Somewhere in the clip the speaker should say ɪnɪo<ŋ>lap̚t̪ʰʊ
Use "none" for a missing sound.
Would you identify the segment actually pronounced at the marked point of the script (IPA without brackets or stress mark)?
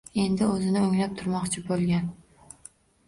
ŋ